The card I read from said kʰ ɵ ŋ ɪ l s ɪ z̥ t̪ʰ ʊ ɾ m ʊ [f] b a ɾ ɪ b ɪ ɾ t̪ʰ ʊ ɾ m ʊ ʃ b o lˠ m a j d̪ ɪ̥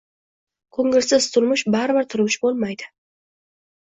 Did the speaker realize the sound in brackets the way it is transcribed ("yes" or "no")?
no